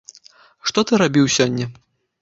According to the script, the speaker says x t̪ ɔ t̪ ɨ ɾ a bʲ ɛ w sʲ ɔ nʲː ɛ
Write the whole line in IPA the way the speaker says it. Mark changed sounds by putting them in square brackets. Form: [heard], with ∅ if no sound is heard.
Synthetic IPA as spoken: [ʂ] t̪ ɔ t̪ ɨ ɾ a bʲ [i] w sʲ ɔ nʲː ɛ